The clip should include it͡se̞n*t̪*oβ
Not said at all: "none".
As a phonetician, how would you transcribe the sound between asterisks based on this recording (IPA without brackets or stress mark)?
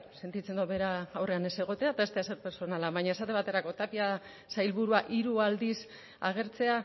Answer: d̪